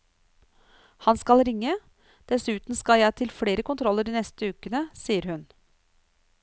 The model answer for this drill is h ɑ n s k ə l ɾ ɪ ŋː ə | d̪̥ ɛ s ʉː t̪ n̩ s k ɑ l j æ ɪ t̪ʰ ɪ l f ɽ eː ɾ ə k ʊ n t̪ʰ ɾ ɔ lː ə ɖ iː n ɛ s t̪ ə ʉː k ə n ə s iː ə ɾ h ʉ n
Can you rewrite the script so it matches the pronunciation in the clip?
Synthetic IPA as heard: h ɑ n s k ɑ l ɾ ɪ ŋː ə | d̪̥ ɛ s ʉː t̪ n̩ s k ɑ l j æ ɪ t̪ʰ ɪ l f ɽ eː ɾ ə k ʊ n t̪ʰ ɾ ɔ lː ə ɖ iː n ɛ s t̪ ə ʉː k ə n ə s iː ə ɾ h ʉ n